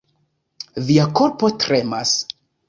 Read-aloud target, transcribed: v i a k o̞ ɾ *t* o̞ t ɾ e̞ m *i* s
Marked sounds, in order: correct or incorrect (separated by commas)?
incorrect, incorrect